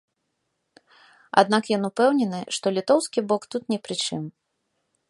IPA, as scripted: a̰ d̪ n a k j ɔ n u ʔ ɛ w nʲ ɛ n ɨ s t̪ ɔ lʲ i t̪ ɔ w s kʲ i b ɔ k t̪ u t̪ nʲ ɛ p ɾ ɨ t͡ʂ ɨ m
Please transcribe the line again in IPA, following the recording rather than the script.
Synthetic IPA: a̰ d̪ n a k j ɔ n u p ɛ w nʲ ɛ n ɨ ʂ t̪ ɔ lʲ i t̪ ɔ w s kʲ i b ɔ k t̪ u t̪ nʲ ɛ p ɾ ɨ t͡ʂ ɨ m